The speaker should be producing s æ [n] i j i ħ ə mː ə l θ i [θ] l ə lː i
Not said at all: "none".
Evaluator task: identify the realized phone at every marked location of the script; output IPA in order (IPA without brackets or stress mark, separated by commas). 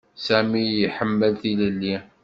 m, none